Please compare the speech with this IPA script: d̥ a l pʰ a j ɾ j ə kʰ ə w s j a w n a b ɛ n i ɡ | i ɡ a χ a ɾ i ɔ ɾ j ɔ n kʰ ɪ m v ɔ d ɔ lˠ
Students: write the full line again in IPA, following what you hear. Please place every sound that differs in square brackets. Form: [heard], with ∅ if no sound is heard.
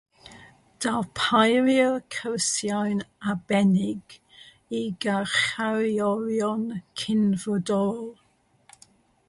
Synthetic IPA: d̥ a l pʰ a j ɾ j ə kʰ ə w s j a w n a b ɛ n [ɪ] ɡ | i ɡ a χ a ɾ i ɔ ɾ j ɔ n kʰ ɪ [n] v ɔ d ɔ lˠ